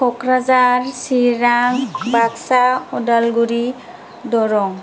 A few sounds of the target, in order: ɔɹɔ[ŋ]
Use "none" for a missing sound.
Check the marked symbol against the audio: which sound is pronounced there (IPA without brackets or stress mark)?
ŋ